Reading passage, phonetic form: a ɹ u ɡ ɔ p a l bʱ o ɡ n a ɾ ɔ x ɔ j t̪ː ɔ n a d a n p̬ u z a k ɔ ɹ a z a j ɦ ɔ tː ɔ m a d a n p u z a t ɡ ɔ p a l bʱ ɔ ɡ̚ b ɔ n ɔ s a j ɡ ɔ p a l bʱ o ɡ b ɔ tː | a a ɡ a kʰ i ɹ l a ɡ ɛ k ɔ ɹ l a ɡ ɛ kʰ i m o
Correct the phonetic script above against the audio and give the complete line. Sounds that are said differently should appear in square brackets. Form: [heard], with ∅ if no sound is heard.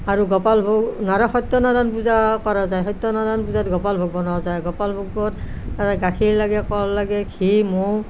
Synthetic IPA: a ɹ u ɡ ɔ p a l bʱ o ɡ n a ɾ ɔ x ɔ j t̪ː ɔ n a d a n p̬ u z a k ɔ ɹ a z a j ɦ ɔ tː ɔ [n] a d a n p u z a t ɡ ɔ p a l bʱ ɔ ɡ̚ b ɔ n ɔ [z] a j ɡ ɔ p a l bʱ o ɡ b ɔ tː | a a ɡ a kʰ i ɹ l a ɡ ɛ k ɔ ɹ l a ɡ ɛ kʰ i m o

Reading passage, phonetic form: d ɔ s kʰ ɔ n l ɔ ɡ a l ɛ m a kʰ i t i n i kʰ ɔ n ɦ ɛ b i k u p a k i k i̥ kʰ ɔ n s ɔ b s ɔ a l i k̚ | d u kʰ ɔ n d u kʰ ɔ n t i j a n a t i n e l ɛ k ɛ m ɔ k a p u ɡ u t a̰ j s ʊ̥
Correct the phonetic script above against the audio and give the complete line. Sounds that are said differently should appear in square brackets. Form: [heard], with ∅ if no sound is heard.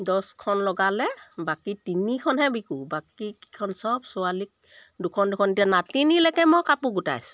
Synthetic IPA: d ɔ s kʰ ɔ n l ɔ ɡ a l ɛ [b] a [k] i t i n i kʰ ɔ n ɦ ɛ b i k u [b] a k i k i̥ kʰ ɔ n s ɔ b s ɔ a l i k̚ | d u kʰ ɔ n d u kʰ ɔ n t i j a n a t i n [i] l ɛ k ɛ m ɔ k a p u ɡ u t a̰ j s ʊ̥

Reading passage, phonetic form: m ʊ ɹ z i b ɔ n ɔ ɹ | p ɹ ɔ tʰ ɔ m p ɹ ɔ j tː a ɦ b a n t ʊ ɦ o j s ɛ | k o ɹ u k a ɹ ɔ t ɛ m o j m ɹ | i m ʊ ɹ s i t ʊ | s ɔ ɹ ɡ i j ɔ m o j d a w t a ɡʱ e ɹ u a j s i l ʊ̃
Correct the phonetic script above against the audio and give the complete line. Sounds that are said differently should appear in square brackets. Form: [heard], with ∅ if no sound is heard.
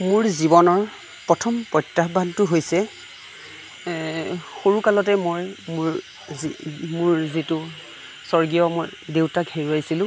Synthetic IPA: m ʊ ɹ z i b ɔ n ɔ ɹ | p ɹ ɔ tʰ ɔ m p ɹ ɔ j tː a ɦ b a n t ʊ ɦ o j s ɛ | [x] o ɹ u k a [l] ɔ t ɛ m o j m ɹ | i m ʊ ɹ [z] i t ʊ | s ɔ ɹ ɡ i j ɔ m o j d [e] w t a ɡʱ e ɹ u a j s i l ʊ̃

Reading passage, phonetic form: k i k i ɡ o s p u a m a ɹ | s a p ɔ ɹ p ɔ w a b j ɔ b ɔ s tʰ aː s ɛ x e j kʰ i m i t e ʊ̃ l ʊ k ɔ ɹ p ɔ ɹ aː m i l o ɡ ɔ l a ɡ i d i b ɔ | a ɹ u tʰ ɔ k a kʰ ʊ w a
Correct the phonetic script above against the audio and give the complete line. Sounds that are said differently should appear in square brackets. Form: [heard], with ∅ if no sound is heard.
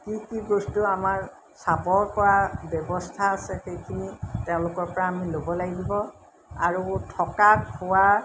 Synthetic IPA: k i k i ɡ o s [t] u a m a ɹ | s a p ɔ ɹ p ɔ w a b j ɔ b ɔ s tʰ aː s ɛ x e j kʰ i [n] i t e ʊ̃ l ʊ k ɔ ɹ p ɔ ɹ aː m i l o [b] ɔ l a ɡ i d i b ɔ | a ɹ u tʰ ɔ k a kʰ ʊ w a

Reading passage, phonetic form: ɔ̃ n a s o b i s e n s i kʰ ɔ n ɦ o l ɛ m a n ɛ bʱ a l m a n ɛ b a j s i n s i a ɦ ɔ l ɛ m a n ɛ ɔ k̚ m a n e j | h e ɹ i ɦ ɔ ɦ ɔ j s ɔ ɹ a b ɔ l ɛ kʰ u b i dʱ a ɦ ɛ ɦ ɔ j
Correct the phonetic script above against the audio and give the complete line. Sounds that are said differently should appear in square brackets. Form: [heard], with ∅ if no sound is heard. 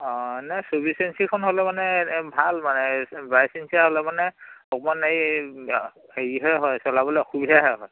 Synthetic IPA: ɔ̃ n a s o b i s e n s i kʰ ɔ n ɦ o l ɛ m a n ɛ bʱ a l m a n ɛ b a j s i n s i a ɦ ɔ l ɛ m a n ɛ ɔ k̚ m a n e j | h e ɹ i ɦ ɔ ɦ ɔ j s ɔ [l] a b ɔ l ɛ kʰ u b i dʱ a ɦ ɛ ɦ ɔ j

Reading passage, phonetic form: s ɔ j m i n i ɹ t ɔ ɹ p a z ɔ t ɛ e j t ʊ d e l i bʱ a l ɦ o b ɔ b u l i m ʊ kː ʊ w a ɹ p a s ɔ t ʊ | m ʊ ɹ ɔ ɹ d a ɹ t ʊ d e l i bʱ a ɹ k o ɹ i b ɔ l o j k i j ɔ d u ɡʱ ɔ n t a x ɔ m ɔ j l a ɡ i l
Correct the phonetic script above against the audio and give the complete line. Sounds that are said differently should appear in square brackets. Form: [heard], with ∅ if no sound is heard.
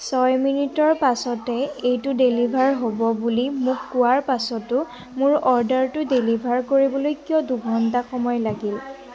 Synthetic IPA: s ɔ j m i n i [∅] t ɔ ɹ p a [s] ɔ t ɛ e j t ʊ d e l i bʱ a [ɹ] ɦ o b ɔ b u l i m ʊ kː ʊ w a ɹ p a s ɔ t ʊ | m ʊ ɹ ɔ ɹ d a ɹ t ʊ d e l i bʱ a ɹ k o ɹ i b ɔ l o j k i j ɔ d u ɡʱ ɔ n t a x ɔ m ɔ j l a ɡ i l

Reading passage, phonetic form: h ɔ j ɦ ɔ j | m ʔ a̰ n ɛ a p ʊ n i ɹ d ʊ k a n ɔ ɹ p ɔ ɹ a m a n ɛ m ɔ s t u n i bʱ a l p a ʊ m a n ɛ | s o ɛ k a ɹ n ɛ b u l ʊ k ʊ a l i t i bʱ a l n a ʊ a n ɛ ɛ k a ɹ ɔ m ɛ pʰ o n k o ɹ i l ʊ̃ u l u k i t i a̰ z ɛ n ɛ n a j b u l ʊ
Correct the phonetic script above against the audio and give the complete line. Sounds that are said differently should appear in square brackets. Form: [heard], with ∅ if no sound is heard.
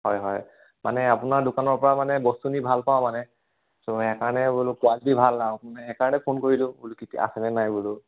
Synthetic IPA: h ɔ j ɦ ɔ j | m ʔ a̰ n ɛ a p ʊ n [a] ɹ d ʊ k a n ɔ ɹ p ɔ ɹ a m a n ɛ [b] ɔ s t u n i bʱ a l p a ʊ m a n ɛ | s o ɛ k a ɹ n ɛ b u l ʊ k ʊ a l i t i bʱ a l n a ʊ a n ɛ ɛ k a ɹ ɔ [n] ɛ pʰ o n k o ɹ i l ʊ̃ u l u k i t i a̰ [s] ɛ n ɛ n a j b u l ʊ

